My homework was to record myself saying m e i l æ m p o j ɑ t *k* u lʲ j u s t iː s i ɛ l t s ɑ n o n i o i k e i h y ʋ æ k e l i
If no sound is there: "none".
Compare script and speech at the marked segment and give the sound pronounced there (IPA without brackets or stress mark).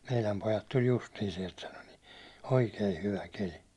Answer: t